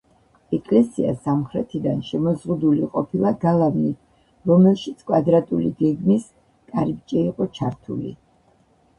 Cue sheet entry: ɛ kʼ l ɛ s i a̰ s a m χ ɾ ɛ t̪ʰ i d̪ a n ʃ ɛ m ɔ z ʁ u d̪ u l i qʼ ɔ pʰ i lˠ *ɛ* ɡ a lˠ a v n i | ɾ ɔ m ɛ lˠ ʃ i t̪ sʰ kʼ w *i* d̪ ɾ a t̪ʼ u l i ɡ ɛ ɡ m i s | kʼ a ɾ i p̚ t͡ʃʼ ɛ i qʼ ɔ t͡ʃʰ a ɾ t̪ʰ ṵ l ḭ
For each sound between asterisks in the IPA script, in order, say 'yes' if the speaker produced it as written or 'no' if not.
no, no

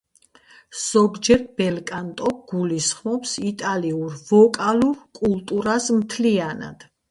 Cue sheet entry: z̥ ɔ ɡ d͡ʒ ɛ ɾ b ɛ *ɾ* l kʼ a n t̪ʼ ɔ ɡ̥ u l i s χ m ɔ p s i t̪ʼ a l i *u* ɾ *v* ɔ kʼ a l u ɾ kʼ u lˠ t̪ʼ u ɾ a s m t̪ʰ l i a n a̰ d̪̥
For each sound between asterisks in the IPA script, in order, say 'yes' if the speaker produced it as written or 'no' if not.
no, yes, yes

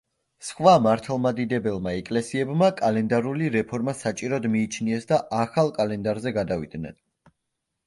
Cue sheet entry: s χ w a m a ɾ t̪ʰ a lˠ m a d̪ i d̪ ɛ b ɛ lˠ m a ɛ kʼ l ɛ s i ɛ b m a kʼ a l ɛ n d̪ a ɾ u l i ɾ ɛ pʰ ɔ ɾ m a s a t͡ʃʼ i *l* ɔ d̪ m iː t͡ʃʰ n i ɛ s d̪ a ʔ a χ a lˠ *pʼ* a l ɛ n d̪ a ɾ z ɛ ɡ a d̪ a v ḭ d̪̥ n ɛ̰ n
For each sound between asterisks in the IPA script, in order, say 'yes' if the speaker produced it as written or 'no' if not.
no, no

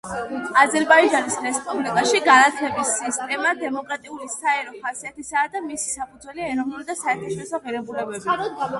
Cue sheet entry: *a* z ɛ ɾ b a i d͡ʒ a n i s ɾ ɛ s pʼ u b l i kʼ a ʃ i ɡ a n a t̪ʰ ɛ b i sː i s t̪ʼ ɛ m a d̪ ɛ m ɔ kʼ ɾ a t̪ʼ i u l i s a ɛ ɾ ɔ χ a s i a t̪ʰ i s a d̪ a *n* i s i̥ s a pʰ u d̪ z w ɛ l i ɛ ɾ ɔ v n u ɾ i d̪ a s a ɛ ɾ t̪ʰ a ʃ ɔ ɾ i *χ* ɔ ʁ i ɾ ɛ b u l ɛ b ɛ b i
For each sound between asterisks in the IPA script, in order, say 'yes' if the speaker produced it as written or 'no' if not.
yes, no, no

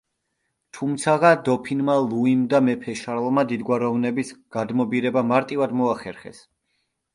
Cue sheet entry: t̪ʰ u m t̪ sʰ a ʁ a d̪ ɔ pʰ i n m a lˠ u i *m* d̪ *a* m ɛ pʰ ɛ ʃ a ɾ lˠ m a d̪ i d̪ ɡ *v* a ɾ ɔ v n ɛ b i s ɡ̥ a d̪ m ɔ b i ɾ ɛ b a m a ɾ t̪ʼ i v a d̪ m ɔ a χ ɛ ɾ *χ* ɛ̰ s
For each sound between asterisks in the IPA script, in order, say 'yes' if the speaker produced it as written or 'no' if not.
yes, yes, no, yes

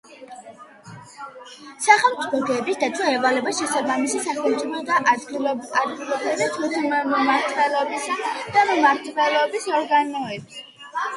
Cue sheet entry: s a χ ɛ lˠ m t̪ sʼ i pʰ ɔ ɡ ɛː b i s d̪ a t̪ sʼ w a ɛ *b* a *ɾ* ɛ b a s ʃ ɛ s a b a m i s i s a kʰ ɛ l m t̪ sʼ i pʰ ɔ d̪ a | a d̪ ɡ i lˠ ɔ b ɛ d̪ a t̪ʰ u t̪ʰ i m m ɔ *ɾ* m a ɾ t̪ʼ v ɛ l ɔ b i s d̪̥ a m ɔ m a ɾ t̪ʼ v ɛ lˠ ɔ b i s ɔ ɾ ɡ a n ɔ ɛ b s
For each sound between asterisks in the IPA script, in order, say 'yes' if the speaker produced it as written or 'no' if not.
no, no, no

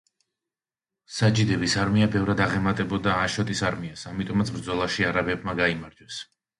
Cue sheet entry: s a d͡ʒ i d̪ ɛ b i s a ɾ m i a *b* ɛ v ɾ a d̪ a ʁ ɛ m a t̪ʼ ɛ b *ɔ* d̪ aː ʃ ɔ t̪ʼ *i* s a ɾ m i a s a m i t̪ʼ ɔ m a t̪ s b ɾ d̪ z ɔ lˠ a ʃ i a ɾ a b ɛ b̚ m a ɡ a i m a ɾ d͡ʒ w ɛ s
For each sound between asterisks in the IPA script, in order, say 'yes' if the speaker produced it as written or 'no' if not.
yes, yes, yes

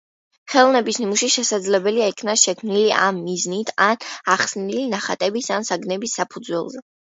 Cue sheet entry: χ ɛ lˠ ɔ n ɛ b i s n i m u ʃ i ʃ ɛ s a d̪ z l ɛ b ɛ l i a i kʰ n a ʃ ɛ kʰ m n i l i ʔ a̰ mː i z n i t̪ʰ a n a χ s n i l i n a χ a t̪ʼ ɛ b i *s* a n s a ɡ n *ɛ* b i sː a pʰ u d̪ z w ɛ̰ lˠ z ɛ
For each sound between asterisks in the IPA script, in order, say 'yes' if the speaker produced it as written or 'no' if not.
yes, yes

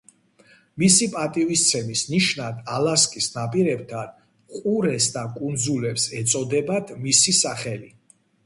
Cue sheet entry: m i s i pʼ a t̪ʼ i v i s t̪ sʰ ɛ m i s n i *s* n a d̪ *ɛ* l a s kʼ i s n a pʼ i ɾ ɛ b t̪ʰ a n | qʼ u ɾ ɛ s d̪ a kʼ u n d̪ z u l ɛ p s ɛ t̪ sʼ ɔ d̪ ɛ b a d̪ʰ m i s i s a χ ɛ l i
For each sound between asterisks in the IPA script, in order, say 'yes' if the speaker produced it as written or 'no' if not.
no, no

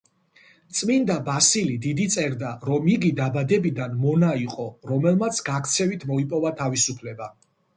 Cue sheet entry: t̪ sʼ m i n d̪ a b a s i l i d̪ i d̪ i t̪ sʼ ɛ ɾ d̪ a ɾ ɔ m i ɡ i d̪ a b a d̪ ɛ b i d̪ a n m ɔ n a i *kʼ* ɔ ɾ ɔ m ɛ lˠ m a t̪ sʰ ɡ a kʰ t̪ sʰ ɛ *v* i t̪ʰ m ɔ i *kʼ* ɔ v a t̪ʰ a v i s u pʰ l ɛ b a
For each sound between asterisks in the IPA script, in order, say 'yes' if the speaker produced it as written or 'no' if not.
no, yes, no

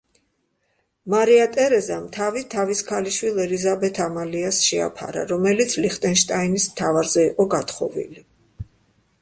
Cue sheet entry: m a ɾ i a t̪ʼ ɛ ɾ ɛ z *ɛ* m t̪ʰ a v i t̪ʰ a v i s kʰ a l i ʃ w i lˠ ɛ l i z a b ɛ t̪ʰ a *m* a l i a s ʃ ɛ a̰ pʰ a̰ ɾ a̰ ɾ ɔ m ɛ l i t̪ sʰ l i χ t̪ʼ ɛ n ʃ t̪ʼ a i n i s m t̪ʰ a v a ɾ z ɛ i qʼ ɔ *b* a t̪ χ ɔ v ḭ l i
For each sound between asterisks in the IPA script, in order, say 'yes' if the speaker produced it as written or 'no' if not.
no, yes, no

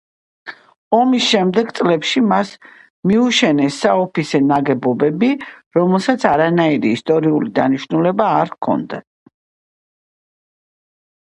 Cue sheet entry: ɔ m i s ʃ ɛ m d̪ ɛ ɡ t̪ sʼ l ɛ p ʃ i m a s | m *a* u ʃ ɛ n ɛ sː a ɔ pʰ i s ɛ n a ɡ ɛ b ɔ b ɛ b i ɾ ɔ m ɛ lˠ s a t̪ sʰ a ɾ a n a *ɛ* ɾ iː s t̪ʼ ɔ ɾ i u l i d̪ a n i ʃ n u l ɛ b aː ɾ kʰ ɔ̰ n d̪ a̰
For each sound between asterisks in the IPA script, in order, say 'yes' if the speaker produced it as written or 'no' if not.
no, no

